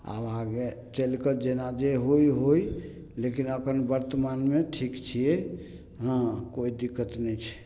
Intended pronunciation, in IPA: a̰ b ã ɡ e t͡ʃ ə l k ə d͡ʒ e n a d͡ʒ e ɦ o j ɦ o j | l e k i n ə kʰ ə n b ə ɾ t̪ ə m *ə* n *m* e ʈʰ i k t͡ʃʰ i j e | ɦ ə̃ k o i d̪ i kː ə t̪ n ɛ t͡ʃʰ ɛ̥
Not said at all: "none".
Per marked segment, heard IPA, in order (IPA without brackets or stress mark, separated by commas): a, m